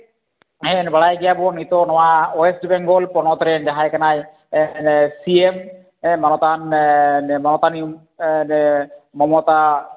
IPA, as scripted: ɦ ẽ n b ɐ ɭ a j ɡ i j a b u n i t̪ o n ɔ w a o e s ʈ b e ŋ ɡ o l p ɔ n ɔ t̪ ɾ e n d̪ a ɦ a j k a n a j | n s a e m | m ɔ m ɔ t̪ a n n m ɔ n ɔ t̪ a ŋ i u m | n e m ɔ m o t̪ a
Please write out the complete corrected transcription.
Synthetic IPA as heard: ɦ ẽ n b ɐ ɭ a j ɡ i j a b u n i t̪ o n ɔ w a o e s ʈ b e ŋ ɡ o l p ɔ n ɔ t̪ ɾ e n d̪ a ɦ a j k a n a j | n s i e m | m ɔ n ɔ t̪ a n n m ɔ n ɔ t̪ a n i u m | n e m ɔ m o t̪ a